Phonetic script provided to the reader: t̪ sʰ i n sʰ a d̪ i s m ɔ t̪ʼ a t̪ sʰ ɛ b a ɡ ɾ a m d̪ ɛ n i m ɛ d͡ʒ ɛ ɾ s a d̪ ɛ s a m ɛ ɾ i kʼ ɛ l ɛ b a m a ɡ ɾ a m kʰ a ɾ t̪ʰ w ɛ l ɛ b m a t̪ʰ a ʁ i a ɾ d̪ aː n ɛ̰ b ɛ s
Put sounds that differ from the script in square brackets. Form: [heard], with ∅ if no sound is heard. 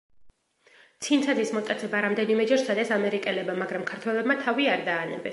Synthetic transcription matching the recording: t̪ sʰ i n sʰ a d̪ i s m ɔ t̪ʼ a t̪ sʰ ɛ b a [∅] ɾ a m d̪ ɛ n i m ɛ d͡ʒ ɛ ɾ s a d̪ ɛ s a m ɛ ɾ i kʼ ɛ l ɛ b a m a ɡ ɾ a m kʰ a ɾ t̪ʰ w ɛ l ɛ b m a t̪ʰ a [v] i a ɾ d̪ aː n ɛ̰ b ɛ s